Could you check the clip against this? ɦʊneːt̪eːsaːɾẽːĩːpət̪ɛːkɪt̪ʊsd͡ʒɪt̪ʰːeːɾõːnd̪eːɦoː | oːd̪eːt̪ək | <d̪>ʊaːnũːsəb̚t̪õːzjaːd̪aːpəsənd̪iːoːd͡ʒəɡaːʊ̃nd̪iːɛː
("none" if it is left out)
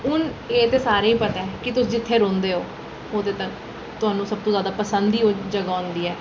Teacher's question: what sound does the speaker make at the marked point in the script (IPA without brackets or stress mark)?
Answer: t̪